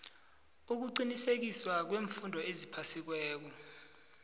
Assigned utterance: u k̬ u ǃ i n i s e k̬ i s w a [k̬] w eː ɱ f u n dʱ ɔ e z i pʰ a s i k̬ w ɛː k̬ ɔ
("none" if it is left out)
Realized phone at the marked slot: k̬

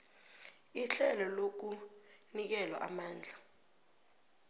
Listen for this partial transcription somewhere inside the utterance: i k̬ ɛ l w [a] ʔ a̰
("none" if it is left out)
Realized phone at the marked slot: a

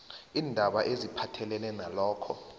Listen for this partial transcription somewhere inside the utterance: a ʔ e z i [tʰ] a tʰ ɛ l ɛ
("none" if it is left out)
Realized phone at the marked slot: pʰ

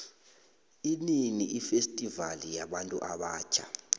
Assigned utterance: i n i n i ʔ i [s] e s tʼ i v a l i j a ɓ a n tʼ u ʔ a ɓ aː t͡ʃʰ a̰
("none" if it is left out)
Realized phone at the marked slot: f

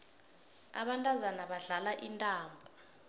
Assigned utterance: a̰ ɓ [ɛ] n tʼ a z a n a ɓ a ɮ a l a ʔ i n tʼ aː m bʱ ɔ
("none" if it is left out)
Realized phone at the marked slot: a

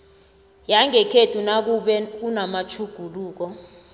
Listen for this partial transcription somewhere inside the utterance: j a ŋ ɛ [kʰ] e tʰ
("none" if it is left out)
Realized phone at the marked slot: kʰ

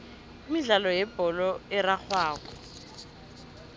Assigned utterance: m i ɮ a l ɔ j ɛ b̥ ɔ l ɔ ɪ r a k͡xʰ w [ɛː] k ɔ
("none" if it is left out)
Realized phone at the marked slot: aː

